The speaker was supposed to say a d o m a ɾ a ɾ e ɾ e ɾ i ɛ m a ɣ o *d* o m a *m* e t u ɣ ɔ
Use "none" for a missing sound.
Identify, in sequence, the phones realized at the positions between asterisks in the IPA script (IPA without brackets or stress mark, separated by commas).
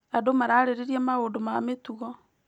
d, m